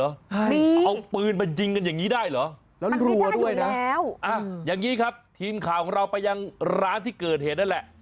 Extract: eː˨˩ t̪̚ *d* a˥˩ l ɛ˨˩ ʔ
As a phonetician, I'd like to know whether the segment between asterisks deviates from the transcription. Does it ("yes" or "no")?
yes